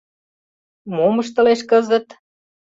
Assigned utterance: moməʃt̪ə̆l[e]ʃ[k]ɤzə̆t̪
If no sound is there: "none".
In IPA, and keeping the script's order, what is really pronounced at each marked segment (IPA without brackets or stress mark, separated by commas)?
e, k